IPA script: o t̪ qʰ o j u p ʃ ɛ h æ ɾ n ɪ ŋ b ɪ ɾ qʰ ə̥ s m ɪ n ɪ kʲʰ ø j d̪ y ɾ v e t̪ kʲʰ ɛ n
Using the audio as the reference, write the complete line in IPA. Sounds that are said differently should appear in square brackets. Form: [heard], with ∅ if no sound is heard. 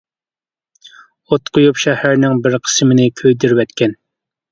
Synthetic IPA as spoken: o t̪ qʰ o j u p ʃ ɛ h æ ɾ n ɪ ŋ b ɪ ɾ qʰ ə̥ s m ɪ n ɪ kʲʰ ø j d̪ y ɾ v [ɛ] t̪ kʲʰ ɛ n